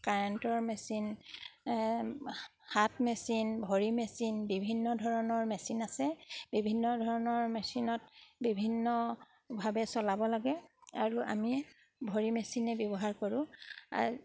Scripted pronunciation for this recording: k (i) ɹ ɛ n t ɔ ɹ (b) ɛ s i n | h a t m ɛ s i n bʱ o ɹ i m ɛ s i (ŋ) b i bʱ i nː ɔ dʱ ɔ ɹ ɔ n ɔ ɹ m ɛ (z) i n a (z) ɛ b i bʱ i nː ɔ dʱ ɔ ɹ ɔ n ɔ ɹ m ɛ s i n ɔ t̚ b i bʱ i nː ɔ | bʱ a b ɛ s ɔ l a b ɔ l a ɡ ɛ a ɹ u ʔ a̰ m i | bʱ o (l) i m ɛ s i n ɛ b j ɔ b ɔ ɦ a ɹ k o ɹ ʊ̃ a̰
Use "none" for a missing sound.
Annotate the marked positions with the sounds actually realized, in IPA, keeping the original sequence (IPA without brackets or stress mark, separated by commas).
a, m, n, s, s, ɹ